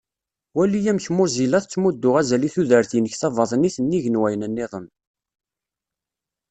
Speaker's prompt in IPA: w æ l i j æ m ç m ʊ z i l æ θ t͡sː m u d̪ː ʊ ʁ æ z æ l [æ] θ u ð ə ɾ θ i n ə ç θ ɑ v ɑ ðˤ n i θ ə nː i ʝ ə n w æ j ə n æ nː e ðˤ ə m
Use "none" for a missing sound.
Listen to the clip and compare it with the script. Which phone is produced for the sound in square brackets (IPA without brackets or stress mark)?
i